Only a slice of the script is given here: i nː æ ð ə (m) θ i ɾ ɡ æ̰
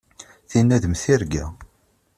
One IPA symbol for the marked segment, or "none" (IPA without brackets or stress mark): m